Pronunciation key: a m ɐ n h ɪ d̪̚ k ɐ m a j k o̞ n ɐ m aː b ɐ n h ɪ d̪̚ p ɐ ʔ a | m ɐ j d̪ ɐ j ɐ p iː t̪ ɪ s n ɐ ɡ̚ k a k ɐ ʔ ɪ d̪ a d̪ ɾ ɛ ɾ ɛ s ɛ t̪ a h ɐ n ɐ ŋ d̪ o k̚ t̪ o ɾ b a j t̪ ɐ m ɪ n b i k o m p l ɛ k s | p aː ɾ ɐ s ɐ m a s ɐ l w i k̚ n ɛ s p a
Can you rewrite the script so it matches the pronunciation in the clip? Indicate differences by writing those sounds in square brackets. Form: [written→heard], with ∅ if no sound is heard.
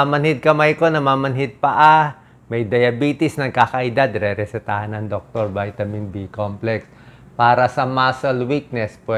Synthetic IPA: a m ɐ n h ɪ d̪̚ k ɐ m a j k o̞ n ɐ m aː [b→m] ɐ n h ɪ d̪̚ p ɐ ʔ a | m ɐ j d̪ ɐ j ɐ [p→b] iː t̪ ɪ s n ɐ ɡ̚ k a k ɐ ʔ ɪ d̪ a d̪ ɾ ɛ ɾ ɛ s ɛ t̪ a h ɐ n ɐ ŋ d̪ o k̚ t̪ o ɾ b a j t̪ ɐ m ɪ n b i k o m p l ɛ k s | p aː ɾ ɐ s ɐ m a s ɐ l w i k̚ n ɛ s p [a→ɛ]